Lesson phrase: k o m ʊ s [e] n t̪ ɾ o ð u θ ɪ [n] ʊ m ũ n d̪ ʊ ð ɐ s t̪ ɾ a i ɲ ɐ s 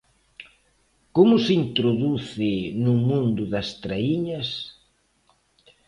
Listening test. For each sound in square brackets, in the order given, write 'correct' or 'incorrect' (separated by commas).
incorrect, correct